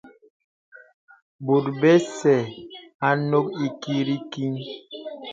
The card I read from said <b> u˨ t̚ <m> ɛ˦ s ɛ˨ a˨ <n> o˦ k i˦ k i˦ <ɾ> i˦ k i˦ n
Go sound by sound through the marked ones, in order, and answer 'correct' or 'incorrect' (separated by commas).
correct, incorrect, correct, correct